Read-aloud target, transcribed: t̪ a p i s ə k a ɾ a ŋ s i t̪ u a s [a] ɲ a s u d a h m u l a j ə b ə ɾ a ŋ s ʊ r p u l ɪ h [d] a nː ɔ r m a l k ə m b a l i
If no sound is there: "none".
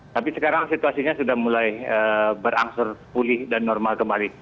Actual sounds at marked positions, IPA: i, d

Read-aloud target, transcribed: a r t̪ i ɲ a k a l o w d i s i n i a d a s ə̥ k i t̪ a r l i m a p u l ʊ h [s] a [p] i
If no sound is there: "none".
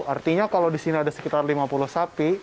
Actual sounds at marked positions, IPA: s, p

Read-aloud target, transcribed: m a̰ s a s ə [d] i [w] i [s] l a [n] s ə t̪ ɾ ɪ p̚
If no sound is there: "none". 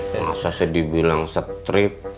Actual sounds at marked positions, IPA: d, b, none, ŋ

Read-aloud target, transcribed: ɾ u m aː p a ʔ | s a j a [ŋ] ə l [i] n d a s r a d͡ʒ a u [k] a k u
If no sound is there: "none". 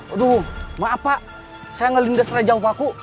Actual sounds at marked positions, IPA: ŋ, i, p

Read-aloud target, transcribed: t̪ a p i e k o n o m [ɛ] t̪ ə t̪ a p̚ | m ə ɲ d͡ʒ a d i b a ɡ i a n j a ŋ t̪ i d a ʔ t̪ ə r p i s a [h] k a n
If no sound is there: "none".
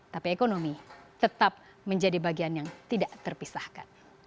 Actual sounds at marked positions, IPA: i, h

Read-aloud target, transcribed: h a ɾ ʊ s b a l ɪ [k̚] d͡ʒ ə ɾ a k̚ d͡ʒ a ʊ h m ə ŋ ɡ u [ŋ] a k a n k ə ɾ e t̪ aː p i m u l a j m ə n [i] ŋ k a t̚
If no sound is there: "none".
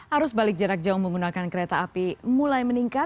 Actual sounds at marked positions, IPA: k̚, n, i

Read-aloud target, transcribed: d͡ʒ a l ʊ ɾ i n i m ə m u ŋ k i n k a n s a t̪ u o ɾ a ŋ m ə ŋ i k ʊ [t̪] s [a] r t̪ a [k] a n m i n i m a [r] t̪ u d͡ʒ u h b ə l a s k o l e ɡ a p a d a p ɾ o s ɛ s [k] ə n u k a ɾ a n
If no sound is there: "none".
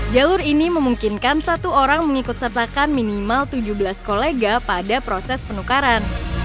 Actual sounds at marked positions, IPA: t̪, ə, k, l, p

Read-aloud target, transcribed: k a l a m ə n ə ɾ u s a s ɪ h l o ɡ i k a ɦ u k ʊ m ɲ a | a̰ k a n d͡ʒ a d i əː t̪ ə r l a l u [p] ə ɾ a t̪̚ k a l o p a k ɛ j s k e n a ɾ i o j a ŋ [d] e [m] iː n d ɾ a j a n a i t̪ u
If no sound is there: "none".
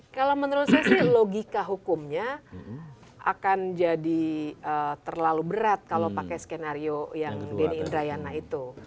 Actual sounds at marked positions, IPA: b, d, n

